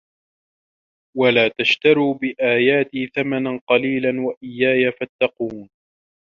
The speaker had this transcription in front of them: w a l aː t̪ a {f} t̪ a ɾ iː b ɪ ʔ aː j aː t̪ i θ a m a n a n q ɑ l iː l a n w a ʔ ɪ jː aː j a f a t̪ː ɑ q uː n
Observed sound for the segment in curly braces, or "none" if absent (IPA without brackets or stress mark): ʃ